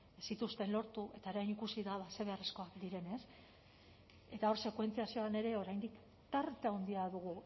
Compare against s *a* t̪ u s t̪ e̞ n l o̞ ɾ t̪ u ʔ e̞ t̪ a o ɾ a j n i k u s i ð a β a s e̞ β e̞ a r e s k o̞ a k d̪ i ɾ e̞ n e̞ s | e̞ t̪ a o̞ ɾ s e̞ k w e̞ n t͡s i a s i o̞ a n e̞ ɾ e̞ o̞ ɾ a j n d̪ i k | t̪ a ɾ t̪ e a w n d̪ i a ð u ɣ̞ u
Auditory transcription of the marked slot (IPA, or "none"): i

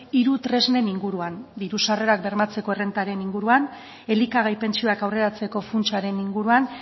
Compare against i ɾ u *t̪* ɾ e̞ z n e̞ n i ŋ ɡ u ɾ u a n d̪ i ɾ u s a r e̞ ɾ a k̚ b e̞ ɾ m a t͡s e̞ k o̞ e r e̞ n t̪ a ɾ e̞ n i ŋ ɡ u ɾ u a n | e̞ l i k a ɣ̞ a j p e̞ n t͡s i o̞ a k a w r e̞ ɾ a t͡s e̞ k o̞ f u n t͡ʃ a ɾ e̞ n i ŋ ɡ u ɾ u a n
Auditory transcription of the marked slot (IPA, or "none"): t̪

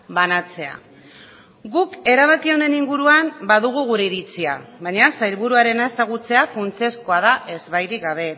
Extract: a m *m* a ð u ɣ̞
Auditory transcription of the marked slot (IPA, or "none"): b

